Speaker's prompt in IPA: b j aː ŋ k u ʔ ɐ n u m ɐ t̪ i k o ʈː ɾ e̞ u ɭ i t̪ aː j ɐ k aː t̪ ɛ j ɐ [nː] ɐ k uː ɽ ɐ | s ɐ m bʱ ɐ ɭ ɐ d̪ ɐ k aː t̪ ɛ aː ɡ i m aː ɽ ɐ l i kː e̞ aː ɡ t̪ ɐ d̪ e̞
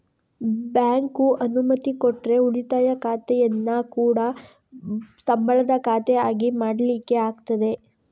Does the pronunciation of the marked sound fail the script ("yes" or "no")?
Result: no